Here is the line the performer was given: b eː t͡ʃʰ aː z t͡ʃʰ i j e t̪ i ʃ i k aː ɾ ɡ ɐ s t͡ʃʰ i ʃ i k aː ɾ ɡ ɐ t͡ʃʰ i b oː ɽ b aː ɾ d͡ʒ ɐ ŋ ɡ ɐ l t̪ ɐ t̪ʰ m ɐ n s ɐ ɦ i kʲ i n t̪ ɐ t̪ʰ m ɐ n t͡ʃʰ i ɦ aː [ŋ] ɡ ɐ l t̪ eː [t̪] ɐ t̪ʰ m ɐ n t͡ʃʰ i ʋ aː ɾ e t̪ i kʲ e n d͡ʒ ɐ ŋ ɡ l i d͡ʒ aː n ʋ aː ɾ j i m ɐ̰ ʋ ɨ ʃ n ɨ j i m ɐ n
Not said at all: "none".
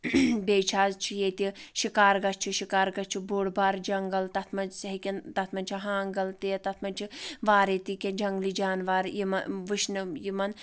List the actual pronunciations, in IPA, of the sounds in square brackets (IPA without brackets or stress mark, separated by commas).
ŋ, t̪